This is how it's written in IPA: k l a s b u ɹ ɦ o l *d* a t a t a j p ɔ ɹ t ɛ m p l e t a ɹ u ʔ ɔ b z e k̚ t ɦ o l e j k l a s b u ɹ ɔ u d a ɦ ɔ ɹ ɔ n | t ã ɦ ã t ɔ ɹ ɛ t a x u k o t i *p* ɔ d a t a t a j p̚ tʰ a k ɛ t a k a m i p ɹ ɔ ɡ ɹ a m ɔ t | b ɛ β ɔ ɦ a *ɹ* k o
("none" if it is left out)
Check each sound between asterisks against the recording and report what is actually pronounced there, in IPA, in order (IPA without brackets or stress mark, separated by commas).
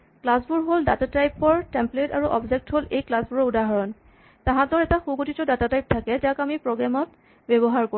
d, t, ɹ